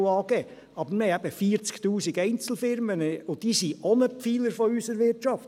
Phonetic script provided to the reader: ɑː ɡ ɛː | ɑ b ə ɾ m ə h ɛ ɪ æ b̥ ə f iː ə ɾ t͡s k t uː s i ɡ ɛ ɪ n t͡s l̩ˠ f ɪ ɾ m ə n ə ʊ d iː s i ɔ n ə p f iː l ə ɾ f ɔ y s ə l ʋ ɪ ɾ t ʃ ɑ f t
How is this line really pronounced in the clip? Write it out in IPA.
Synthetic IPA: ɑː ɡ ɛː | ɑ b ə ɾ m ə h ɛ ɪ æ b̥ ə f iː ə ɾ t͡s k t uː s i ɡ ɛ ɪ n t͡s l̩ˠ f ɪ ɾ m ə n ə ʊ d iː s i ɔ n ə p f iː l ə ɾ f ɔ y s ə ɾ ʋ ɪ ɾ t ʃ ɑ f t